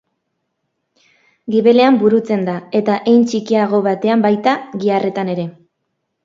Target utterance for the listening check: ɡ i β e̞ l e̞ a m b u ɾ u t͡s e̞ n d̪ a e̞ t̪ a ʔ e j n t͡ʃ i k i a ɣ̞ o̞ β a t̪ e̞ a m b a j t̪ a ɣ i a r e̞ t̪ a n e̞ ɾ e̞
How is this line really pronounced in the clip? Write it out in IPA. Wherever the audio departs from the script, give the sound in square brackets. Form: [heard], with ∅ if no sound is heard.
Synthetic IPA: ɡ i β e̞ l e̞ a m b u ɾ u t͡s e̞ n d̪ a e̞ t̪ a ʔ e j n t͡ʃ i k i a ɣ̞ o̞ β a t̪ e̞ a m b a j t̪ a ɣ i a r e̞ t̪ a n e̞ ɾ e̞